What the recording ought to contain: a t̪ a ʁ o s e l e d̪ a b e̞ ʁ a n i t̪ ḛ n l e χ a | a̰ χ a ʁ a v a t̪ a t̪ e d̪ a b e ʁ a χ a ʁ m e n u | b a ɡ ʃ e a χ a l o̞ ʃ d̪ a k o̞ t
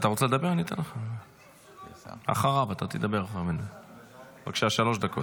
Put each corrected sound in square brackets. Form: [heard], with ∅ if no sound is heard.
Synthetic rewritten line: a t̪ a ʁ o [t͡s] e l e d̪ a b e̞ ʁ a n i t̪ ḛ n l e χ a | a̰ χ a ʁ a v a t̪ a t̪ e d̪ a b e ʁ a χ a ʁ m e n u | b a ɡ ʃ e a [ʃ] a l o̞ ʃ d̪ a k o̞ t